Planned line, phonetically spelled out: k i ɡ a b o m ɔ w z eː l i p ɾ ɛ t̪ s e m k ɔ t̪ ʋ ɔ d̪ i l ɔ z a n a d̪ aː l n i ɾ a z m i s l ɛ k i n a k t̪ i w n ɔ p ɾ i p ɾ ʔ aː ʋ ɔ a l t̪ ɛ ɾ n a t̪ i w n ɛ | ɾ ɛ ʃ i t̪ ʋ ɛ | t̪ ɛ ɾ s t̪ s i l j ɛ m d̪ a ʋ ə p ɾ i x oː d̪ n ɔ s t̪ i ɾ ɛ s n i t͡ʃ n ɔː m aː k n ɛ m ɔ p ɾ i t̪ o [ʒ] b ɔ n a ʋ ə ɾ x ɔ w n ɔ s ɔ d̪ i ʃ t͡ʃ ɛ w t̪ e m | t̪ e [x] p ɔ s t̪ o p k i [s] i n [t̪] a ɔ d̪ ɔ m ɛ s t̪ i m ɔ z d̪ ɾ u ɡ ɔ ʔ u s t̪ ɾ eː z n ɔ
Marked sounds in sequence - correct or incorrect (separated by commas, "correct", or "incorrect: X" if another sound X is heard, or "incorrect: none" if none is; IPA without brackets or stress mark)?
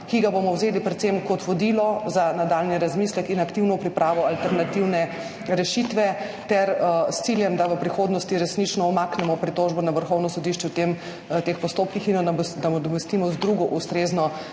correct, correct, incorrect: x, incorrect: d̪